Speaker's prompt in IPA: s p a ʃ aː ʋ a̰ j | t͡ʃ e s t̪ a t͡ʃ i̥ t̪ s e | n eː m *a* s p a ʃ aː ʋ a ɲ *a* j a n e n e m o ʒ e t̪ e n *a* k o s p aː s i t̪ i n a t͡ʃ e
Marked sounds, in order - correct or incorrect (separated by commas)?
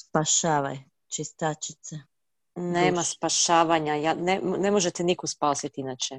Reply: correct, correct, incorrect